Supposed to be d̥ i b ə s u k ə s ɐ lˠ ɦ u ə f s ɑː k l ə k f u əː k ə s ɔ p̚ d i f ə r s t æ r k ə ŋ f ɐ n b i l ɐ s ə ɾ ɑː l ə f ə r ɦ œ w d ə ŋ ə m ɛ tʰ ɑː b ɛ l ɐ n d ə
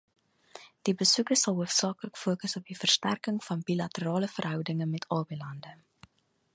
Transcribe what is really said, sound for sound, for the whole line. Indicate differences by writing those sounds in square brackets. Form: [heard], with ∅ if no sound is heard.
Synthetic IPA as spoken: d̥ i b ə s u k ə s ɐ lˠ ɦ u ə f s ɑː k l ə k f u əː k ə s ɔ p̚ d i f ə r s t æ r k ə ŋ f ɐ n b i l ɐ [t] ə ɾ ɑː l ə f ə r ɦ œ w d ə ŋ ə m ɛ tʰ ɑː b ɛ l ɐ n d ə